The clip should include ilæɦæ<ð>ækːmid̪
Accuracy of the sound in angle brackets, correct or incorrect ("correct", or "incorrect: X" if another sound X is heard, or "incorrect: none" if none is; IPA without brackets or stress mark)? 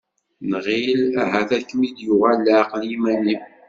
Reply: incorrect: θ